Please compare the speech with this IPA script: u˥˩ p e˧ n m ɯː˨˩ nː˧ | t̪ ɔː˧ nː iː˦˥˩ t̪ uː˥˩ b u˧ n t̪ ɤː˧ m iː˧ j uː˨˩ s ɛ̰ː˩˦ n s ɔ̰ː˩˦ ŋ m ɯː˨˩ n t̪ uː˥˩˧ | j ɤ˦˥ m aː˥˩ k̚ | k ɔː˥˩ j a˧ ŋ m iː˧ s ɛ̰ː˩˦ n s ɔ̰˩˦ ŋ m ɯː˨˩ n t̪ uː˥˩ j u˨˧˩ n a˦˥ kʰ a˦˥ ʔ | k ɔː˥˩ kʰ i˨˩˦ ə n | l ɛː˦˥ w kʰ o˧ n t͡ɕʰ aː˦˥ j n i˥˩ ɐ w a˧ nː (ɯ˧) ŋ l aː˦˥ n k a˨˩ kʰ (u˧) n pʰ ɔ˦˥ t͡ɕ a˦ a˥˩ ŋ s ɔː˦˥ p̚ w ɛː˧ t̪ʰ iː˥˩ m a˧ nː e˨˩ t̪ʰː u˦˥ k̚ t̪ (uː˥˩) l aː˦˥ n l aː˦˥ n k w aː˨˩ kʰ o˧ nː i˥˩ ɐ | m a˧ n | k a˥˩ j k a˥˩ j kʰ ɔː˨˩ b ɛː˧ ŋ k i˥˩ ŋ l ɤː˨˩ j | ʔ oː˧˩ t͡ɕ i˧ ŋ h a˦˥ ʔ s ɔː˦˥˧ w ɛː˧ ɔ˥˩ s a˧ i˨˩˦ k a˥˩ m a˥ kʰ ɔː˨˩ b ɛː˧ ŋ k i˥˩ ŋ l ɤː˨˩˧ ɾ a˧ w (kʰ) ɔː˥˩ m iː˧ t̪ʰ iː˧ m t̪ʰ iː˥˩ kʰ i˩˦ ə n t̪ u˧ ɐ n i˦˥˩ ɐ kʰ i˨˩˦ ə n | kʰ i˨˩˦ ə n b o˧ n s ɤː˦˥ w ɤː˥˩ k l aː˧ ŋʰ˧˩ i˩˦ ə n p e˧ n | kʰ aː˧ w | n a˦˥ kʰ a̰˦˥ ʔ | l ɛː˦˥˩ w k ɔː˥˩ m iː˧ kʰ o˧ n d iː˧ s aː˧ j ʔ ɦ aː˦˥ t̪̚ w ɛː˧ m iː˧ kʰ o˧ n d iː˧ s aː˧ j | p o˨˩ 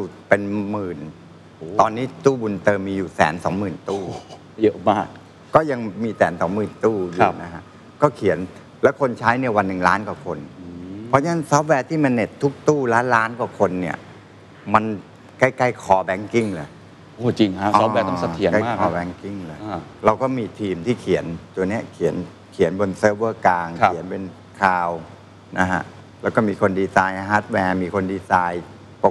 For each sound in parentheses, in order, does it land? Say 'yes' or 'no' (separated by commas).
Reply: no, no, yes, no